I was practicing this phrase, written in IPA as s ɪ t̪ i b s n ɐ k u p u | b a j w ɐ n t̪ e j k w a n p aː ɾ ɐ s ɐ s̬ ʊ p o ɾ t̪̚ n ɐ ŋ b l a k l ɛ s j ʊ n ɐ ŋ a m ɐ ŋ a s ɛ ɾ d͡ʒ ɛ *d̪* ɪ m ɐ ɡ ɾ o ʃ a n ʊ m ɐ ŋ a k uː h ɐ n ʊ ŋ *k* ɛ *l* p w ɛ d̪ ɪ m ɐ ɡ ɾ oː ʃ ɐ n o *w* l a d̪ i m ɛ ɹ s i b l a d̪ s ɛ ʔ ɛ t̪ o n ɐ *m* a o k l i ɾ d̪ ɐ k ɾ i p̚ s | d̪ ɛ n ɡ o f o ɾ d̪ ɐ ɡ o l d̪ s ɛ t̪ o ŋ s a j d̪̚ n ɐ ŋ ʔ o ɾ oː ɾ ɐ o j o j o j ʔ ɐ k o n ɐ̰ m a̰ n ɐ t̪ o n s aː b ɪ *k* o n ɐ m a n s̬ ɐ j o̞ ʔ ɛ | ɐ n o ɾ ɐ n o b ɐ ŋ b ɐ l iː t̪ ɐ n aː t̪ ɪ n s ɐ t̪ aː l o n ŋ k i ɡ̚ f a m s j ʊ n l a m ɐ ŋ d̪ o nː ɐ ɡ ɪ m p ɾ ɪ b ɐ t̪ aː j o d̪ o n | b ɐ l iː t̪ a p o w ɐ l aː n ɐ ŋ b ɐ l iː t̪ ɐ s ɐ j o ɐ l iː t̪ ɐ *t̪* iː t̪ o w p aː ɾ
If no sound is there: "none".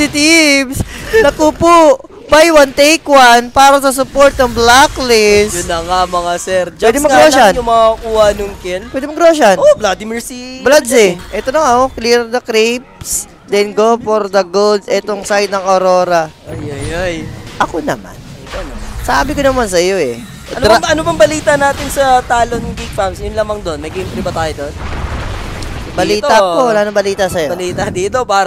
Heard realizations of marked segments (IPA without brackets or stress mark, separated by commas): d̪, k, l, b, ŋ, k, d̪